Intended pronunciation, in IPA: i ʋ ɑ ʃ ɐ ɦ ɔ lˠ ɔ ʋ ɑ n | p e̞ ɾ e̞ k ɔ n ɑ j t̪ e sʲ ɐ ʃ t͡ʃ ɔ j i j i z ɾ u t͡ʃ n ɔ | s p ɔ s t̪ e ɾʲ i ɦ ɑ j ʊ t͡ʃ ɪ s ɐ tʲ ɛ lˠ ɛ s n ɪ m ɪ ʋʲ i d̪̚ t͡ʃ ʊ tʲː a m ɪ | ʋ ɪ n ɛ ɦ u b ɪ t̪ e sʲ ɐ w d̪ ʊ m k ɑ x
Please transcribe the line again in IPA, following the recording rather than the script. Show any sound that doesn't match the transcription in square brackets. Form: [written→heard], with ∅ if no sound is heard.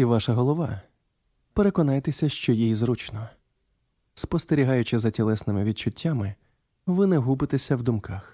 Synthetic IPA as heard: i ʋ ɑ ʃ ɐ ɦ ɔ lˠ ɔ ʋ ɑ [n→∅] | p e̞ ɾ e̞ k ɔ n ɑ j t̪ e sʲ ɐ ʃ t͡ʃ ɔ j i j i z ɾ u t͡ʃ n ɔ | s p ɔ s t̪ e ɾʲ i ɦ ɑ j ʊ t͡ʃ ɪ [s→z] ɐ tʲ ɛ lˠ ɛ s n ɪ m ɪ ʋʲ i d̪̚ t͡ʃ ʊ tʲː a m ɪ | ʋ ɪ n ɛ ɦ u b ɪ t̪ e sʲ ɐ w d̪ ʊ m k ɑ x